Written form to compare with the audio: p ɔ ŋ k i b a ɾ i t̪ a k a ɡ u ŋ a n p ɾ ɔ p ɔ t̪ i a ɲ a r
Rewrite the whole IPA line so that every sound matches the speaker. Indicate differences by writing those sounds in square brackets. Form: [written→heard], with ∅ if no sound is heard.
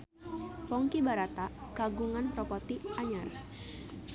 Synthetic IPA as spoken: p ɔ ŋ k i b a ɾ [i→a] t̪ a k a ɡ u ŋ a n p ɾ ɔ p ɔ t̪ i a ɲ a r